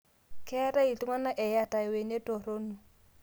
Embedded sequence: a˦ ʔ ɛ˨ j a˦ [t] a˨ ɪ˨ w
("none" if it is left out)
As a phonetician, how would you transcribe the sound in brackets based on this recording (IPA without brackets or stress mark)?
t